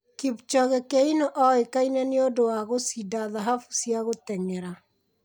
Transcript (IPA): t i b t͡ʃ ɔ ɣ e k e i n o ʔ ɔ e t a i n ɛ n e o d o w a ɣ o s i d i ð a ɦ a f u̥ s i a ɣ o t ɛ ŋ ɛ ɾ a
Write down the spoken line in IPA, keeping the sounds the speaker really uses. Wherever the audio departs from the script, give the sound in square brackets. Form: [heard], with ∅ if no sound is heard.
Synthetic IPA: [k] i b t͡ʃ ɔ ɣ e k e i n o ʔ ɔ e [k] a i n ɛ n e o d o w a ɣ o s i d [a] ð a ɦ a f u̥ s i a ɣ o t ɛ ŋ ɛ ɾ a